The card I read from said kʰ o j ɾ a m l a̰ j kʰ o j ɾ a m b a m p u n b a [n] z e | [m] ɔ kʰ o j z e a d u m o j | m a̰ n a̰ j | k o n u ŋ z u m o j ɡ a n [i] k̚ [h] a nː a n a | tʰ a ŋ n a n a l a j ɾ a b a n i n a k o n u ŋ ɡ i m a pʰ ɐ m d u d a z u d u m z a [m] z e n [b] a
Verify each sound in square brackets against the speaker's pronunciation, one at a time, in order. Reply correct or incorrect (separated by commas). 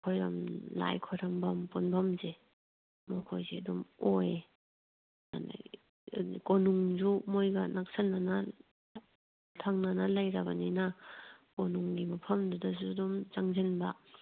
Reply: incorrect, correct, incorrect, incorrect, incorrect, correct